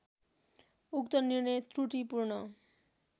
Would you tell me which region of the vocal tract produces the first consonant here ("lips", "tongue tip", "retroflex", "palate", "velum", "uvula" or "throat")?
velum